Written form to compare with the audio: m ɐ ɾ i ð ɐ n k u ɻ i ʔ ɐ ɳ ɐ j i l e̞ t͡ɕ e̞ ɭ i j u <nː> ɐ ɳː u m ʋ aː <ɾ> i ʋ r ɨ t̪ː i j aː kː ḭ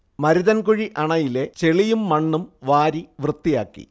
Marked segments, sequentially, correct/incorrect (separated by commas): incorrect, correct